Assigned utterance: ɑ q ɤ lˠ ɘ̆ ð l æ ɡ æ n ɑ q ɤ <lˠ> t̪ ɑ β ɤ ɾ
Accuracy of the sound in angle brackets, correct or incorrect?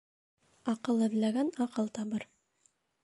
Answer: correct